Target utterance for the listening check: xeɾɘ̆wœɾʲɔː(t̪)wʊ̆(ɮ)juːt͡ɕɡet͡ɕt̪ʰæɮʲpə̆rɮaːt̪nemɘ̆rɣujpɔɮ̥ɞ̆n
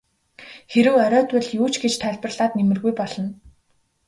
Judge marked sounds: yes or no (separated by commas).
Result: yes, yes